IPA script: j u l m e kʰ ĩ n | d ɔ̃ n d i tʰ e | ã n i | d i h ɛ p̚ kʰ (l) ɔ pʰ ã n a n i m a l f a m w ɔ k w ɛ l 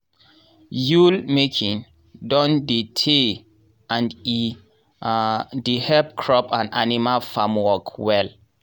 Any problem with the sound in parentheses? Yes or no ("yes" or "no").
yes